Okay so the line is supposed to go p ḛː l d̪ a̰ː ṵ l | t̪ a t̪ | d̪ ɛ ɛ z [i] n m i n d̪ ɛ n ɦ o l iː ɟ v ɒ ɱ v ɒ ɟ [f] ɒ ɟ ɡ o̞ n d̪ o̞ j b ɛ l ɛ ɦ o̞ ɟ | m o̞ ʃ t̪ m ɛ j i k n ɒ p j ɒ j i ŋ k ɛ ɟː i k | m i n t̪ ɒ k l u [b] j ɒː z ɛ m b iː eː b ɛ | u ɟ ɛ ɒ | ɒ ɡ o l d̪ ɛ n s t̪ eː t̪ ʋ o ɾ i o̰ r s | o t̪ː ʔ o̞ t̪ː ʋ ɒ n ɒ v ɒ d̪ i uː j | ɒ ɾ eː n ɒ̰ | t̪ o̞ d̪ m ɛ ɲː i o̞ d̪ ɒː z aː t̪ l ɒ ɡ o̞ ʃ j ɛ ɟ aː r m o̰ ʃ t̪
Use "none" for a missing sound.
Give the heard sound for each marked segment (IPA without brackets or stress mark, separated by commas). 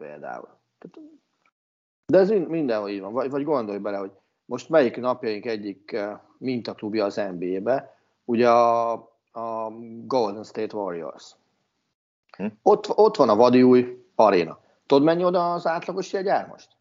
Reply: i, v, b